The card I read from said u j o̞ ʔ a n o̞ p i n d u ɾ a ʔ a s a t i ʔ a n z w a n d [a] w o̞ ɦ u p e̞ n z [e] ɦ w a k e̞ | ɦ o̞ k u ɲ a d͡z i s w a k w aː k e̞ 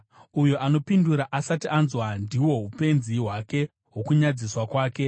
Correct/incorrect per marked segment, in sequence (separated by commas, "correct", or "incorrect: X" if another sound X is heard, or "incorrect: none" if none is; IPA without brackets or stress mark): incorrect: i, incorrect: i